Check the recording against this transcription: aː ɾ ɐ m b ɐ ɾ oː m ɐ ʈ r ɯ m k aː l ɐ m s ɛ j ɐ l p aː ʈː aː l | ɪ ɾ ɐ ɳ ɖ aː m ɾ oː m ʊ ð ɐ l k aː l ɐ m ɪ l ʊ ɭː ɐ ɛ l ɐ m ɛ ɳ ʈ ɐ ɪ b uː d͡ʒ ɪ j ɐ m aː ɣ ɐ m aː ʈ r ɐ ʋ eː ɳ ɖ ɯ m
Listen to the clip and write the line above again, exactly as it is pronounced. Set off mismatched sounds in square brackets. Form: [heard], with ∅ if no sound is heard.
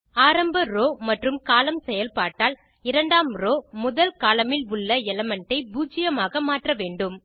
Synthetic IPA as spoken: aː ɾ ɐ m b ɐ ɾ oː m ɐ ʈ r ɯ m k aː l ɐ m s ɛ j ɐ l p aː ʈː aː l | ɪ ɾ ɐ ɳ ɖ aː m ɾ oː m ʊ ð ɐ l k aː l ɐ m ɪ l ʊ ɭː ɐ ɛ l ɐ m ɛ ɳ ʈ ɐ ɪ b uː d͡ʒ ɪ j ɐ m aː ɣ ɐ m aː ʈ r ɐ ʋ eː ɳ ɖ ɯ m